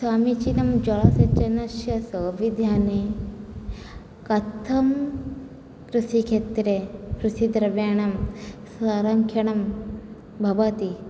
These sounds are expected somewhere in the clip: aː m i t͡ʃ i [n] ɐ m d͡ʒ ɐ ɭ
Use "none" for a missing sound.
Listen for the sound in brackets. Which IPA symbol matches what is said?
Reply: n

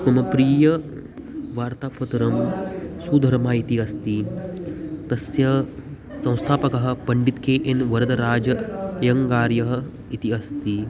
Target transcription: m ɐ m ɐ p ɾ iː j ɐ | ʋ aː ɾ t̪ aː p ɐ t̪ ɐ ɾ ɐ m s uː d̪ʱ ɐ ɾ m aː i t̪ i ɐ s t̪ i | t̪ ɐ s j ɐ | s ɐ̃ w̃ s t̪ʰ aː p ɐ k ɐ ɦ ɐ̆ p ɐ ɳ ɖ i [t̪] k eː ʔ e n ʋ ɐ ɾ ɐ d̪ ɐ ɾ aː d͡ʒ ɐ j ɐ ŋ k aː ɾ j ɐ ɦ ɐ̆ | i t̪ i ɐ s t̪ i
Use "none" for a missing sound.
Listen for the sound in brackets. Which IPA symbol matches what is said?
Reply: t̪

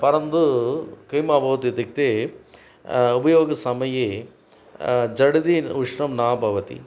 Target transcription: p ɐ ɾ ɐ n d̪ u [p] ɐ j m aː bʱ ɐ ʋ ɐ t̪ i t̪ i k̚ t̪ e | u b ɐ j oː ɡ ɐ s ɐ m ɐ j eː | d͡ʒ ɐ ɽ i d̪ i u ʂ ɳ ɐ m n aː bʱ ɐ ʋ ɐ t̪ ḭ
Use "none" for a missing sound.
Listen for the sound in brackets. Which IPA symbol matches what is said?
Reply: k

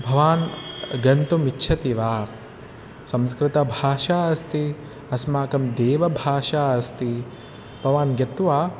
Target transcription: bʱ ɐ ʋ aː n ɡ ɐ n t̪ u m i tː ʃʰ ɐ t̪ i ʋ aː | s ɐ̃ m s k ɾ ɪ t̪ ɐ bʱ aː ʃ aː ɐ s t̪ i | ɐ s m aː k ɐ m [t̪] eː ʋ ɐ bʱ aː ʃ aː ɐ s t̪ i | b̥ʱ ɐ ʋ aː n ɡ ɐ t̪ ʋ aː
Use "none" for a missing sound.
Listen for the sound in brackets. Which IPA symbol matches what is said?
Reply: d̪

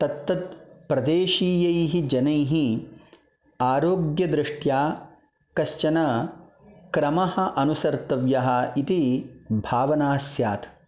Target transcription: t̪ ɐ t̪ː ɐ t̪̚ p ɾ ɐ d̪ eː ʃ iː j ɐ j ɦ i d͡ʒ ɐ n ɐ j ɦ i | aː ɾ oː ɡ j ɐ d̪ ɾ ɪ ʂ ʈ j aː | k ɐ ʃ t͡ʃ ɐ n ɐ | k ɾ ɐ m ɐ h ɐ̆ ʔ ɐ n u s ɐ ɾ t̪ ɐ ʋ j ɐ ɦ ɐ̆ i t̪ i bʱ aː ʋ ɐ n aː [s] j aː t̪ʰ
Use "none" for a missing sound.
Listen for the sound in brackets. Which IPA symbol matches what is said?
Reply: s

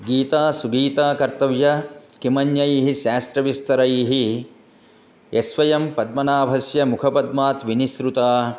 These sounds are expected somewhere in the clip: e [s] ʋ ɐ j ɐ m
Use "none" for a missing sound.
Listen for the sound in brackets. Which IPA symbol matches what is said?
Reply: s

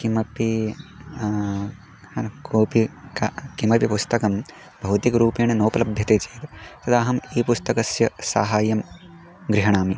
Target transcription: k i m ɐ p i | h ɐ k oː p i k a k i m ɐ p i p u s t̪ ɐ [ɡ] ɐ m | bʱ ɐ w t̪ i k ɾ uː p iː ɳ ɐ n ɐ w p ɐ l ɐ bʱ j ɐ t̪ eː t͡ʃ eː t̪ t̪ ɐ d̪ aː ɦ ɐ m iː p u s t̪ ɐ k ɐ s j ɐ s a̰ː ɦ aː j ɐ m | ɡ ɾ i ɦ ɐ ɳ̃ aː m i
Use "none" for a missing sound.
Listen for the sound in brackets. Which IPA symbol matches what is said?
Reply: k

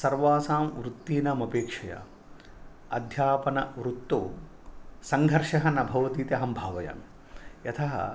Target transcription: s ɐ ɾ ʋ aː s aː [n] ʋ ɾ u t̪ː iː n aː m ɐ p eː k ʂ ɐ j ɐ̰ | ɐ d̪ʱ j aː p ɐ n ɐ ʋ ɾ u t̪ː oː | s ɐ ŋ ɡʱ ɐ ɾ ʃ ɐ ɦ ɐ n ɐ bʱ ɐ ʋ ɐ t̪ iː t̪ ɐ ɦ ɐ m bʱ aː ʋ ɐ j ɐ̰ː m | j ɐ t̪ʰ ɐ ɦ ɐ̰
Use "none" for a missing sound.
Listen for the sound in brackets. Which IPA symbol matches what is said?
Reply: m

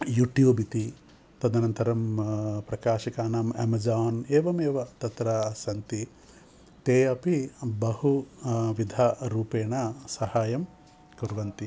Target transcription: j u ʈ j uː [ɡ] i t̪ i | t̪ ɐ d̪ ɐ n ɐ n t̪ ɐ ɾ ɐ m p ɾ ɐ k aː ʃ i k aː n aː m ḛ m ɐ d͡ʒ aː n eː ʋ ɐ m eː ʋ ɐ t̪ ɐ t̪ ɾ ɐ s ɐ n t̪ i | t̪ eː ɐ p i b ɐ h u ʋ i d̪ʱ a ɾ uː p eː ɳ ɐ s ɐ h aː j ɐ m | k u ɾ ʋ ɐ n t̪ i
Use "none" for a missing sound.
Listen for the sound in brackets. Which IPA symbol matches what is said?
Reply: b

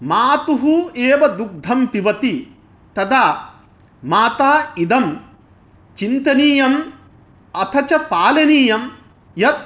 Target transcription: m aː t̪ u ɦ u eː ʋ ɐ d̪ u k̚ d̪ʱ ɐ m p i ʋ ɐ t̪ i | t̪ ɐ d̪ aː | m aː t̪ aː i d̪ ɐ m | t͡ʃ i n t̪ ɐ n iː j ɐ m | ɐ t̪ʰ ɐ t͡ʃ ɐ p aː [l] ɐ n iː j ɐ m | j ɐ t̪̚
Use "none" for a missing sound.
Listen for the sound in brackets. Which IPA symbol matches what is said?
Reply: l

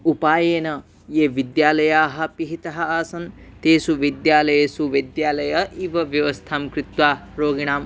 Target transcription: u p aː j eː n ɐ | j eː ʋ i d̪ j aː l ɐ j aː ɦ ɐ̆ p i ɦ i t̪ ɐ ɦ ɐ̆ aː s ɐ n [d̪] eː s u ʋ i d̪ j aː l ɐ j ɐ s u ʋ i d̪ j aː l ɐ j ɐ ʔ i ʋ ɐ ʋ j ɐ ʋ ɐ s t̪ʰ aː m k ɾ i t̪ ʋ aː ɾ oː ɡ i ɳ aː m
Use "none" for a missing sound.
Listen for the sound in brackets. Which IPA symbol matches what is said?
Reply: t̪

